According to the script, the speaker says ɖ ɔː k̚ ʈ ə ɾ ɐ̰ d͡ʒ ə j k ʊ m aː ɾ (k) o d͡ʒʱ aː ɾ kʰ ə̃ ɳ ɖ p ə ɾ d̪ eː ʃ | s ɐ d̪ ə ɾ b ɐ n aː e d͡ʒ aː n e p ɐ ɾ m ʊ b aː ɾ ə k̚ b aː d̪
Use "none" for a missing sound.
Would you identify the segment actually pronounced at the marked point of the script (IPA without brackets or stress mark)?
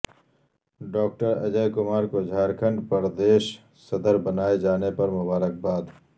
k